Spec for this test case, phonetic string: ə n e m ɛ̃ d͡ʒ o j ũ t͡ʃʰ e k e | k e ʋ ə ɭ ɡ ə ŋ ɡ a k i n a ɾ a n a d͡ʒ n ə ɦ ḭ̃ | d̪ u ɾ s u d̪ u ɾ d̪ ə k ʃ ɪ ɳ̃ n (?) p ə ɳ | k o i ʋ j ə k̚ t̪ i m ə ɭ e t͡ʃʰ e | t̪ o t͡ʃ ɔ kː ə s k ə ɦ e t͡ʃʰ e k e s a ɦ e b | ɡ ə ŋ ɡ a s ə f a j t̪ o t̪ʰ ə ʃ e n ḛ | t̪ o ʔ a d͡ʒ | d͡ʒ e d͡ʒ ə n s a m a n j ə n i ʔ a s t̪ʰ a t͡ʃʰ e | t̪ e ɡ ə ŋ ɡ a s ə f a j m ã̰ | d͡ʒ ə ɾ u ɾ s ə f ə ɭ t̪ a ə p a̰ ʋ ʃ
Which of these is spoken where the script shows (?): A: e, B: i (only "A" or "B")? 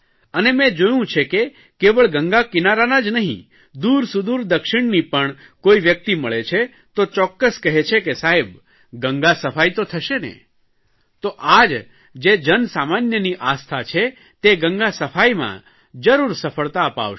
B